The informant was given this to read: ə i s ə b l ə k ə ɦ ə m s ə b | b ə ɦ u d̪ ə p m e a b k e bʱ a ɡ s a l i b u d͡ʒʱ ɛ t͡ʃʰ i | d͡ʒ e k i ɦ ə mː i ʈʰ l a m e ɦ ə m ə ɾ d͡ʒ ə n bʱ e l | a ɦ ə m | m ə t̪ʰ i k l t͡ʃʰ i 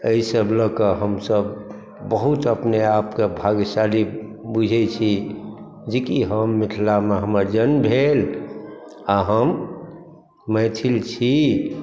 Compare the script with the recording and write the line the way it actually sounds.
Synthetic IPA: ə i s ə b l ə k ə ɦ ə m s ə b | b ə ɦ u t̪ ə p n e a p k e bʱ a ɡ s a l i b u d͡ʒʱ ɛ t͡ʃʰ i | d͡ʒ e k i ɦ ə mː i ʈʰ l a m e ɦ ə m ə ɾ d͡ʒ ə n bʱ e l | a ɦ ə m | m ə t̪ʰ i l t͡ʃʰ i